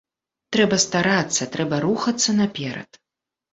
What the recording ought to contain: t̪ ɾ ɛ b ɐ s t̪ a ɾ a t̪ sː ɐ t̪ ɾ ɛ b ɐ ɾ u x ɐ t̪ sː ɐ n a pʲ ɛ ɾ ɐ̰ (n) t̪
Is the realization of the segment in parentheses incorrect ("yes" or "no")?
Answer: yes